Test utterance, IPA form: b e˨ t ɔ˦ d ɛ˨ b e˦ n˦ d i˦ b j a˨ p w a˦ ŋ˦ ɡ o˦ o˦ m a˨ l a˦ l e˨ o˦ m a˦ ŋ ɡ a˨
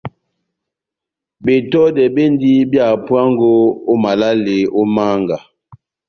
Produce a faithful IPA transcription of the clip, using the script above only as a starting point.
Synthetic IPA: b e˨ t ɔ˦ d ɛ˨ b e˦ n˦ d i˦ b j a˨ p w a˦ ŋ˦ ɡ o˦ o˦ m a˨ l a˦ l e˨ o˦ m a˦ ŋ ɡ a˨